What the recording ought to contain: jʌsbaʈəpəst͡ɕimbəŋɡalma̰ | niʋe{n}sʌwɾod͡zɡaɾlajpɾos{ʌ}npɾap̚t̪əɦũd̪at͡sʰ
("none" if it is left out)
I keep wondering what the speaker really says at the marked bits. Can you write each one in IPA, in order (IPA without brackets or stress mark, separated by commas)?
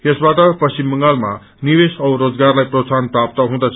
none, a